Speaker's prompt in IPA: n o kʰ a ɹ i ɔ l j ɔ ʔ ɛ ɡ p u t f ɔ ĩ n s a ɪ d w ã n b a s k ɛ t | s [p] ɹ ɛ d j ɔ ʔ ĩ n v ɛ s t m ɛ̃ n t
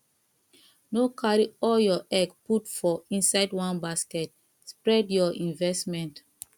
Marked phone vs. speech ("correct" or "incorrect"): correct